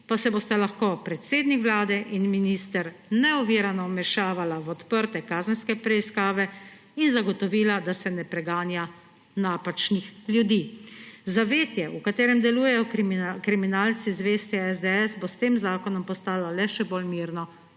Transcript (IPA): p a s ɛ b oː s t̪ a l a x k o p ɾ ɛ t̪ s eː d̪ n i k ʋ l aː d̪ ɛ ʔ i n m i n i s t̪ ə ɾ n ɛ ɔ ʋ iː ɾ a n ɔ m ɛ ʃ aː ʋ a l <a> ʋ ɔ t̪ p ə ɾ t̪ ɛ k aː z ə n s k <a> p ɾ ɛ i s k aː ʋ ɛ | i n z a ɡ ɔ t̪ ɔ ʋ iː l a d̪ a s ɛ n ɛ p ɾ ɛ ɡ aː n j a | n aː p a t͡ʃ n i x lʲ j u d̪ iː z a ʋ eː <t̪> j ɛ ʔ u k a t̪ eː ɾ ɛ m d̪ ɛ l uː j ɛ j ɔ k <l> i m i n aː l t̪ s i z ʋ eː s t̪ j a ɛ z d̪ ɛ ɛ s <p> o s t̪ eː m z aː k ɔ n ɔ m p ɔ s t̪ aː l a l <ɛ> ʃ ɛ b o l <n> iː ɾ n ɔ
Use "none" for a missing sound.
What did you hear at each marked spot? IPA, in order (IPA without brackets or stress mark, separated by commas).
a, ɛ, t̪, ɾ, b, ɛ, m